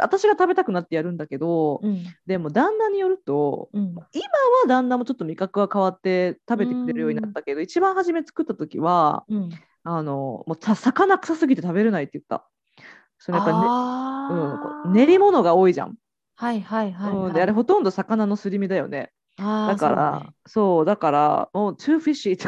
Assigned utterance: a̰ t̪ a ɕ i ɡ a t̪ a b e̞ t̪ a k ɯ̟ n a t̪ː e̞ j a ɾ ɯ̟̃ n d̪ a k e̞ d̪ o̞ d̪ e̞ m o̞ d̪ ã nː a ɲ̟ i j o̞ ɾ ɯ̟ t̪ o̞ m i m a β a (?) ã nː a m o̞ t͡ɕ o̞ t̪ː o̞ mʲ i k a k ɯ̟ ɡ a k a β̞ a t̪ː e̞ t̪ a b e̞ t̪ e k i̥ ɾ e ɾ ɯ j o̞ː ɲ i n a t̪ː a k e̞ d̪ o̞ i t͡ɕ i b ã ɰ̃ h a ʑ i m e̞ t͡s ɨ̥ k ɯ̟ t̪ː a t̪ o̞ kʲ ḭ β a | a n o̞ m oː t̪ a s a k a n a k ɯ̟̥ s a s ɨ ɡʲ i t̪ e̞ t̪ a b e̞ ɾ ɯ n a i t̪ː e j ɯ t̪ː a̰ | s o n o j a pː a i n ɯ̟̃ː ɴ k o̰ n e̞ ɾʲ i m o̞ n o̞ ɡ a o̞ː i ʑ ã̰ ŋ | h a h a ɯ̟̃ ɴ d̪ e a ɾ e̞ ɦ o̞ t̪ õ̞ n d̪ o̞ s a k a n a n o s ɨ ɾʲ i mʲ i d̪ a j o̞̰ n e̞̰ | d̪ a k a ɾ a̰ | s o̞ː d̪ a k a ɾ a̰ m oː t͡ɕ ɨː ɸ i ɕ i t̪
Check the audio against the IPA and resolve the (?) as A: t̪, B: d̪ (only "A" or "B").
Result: B